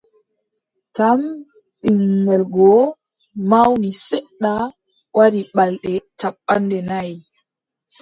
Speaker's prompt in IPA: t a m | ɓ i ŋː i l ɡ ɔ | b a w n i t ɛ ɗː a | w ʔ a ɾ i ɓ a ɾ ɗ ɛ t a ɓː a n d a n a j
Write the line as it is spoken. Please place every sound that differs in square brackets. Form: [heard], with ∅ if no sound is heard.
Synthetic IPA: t a m | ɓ i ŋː [ɛ] l ɡ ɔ | [m] a w n i [s] ɛ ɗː a | w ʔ a ɾ i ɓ a [l] ɗ ɛ t a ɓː a n d [ɛ] n a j